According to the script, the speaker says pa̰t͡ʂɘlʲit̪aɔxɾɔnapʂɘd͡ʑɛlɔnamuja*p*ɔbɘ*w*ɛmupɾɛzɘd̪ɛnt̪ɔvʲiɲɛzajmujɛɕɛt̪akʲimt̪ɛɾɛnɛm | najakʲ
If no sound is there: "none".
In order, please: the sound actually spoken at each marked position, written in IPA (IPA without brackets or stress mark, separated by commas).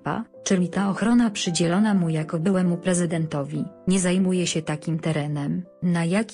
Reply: k, w